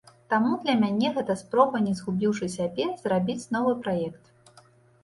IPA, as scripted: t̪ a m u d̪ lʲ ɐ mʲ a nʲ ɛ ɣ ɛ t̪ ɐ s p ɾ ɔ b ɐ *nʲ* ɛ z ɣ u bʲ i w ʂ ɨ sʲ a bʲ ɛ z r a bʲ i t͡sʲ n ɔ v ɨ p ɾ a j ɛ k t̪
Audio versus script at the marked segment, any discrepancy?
no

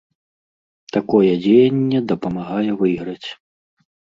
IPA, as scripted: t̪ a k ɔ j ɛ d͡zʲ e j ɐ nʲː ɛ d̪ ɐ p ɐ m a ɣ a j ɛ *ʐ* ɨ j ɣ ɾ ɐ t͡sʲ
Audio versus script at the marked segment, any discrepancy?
yes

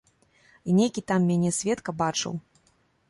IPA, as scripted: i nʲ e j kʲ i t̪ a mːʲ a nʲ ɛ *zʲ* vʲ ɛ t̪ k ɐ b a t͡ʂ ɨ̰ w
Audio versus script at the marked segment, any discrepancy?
yes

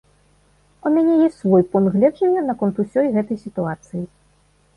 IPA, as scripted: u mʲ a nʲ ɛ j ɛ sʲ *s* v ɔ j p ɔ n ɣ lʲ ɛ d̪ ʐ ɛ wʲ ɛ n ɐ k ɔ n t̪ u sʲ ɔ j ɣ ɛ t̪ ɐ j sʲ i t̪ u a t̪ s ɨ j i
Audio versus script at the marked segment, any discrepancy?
no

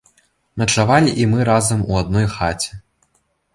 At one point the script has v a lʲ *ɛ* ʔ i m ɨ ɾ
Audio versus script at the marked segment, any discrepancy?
yes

